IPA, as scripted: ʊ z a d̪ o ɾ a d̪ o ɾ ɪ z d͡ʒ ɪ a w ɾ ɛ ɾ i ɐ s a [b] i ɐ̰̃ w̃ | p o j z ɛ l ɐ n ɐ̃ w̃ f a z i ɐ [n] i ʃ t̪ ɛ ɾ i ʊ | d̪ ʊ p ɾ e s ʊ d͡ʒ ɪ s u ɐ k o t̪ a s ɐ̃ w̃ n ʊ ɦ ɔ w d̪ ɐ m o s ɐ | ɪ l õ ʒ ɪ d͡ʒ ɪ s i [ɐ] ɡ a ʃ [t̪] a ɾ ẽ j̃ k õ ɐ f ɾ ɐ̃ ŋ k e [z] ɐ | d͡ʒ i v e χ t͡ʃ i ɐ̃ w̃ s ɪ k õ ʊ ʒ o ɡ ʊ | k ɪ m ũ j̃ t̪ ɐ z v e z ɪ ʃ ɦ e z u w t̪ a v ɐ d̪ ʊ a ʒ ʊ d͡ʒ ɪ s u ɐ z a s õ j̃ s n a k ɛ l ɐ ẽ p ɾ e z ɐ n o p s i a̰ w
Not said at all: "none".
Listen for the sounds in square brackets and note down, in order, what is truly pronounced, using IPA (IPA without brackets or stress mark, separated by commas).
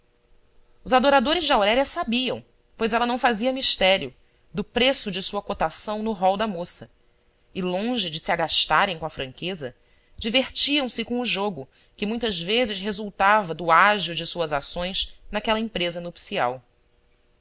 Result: b, m, a, t̪, z